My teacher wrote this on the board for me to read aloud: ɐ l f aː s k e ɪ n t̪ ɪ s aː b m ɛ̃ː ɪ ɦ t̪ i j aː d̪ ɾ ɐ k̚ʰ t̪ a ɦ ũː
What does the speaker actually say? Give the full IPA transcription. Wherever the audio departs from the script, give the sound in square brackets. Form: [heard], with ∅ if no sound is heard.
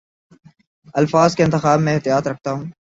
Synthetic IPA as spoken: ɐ l f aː [z] k e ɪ n t̪ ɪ [x] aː b m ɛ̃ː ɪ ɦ t̪ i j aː [t̪] ɾ ɐ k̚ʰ t̪ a ɦ ũː